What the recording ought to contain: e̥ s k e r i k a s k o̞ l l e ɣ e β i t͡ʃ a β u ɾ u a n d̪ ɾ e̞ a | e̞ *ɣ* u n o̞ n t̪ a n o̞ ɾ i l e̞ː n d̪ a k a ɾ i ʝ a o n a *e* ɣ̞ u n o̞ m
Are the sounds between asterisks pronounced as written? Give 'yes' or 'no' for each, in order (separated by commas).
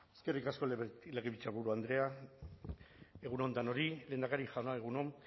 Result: yes, yes